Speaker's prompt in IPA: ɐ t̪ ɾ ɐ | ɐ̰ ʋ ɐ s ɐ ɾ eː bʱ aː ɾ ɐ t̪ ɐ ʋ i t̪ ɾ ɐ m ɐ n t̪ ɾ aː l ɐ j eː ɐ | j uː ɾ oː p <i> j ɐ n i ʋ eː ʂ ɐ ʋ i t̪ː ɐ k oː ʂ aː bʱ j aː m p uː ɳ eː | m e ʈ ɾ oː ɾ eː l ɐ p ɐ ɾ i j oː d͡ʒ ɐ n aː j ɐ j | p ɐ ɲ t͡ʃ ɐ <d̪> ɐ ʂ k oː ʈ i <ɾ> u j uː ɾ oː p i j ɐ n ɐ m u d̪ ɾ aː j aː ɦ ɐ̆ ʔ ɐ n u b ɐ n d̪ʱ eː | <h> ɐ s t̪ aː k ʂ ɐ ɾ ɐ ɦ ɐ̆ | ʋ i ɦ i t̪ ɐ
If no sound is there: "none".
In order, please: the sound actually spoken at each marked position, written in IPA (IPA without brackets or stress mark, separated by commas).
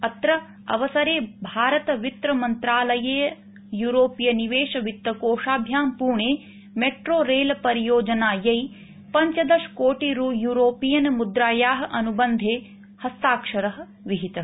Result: i, d̪, ɾ, h